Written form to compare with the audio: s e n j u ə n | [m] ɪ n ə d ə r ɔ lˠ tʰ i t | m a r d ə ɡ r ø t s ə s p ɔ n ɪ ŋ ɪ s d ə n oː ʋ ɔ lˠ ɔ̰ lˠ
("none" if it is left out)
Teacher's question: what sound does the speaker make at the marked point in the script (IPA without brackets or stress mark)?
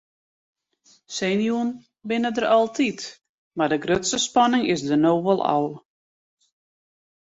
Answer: b